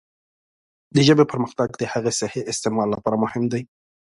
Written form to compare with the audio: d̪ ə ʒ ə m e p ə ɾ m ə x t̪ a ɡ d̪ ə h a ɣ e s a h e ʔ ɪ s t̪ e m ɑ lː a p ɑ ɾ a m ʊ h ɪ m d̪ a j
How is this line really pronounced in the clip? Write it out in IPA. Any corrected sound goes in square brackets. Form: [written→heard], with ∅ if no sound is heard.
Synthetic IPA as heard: d̪ ə ʒ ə [m→b] e p ə ɾ m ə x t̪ a ɡ d̪ ə h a ɣ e s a h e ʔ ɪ s t̪ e m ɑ lː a p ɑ ɾ a m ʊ h ɪ m d̪ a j